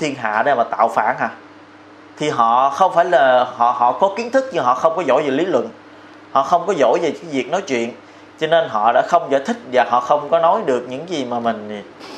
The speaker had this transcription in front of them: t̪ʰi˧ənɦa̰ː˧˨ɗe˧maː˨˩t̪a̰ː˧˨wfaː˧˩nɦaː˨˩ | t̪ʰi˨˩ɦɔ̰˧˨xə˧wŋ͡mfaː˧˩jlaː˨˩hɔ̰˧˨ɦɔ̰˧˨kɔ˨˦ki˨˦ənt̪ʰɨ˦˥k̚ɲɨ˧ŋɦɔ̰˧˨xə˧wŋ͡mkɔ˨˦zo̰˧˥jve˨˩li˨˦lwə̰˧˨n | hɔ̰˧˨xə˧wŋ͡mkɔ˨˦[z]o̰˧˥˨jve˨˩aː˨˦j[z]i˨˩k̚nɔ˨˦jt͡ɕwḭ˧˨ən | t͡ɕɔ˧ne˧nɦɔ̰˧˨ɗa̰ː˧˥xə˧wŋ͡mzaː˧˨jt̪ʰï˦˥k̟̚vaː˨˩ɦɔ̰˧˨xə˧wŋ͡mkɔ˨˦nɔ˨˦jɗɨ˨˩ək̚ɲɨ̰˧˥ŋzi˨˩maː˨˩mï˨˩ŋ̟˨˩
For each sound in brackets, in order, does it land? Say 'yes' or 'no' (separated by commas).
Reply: yes, no